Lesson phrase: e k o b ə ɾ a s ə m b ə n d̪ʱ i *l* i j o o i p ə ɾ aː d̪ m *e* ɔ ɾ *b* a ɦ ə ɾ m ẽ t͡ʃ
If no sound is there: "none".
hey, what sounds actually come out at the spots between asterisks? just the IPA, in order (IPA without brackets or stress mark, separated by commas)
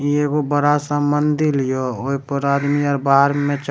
l, i, b